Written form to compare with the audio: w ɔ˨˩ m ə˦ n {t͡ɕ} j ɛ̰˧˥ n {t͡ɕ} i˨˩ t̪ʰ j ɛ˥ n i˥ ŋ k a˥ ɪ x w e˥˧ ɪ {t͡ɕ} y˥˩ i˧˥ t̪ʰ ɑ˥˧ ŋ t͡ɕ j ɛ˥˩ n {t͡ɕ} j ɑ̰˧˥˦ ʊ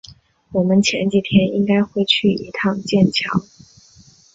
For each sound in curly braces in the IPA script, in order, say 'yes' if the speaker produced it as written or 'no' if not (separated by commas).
no, yes, no, no